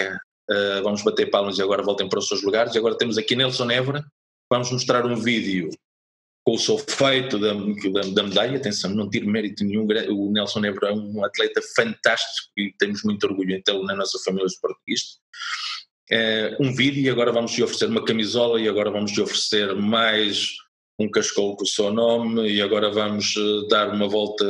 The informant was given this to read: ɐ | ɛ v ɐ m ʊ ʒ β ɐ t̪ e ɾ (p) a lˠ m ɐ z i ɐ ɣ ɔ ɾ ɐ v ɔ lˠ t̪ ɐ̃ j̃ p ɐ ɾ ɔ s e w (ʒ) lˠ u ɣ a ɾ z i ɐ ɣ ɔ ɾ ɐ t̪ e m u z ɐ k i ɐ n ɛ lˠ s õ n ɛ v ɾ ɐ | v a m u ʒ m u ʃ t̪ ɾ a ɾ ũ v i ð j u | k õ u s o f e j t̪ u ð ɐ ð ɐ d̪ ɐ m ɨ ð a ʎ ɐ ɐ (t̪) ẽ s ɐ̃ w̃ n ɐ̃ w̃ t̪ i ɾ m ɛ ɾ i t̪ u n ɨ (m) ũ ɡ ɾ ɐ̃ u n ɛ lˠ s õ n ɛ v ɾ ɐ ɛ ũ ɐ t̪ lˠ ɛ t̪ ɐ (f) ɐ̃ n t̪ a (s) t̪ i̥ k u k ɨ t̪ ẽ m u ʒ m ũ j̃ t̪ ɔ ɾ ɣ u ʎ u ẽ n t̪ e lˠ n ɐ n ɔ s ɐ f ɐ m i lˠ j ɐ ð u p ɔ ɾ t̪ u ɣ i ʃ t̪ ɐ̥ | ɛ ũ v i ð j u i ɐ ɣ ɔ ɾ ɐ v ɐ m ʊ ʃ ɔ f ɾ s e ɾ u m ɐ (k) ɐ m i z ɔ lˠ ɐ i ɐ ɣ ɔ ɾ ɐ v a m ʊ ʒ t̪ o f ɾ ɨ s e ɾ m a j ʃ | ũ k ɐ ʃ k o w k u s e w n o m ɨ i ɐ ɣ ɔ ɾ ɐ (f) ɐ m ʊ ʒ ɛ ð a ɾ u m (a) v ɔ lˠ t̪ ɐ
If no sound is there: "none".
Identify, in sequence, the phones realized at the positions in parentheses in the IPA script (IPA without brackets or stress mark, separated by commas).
p, ʒ, t̪, ɲ, f, ʃ, k, v, ɐ